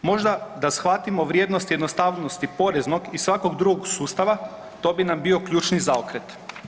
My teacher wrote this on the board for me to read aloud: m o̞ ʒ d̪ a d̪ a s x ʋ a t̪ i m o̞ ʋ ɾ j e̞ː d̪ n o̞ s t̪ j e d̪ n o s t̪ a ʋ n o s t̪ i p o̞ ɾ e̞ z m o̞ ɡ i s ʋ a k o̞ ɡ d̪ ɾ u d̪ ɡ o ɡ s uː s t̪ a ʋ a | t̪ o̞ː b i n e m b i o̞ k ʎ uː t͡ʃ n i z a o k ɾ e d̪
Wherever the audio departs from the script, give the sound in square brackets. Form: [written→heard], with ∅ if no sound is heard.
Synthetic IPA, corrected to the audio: m o̞ ʒ d̪ a d̪ a s x ʋ a t̪ i m o̞ ʋ ɾ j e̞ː d̪ n o̞ s t̪ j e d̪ n o s t̪ a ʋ n o s t̪ i p o̞ ɾ e̞ z [m→n] o̞ ɡ i s ʋ a k o̞ ɡ d̪ ɾ u [d̪→∅] ɡ o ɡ s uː s t̪ a ʋ a | t̪ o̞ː b i n [e→a] m b i o̞ k ʎ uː t͡ʃ n i z a o k ɾ e [d̪→t̪]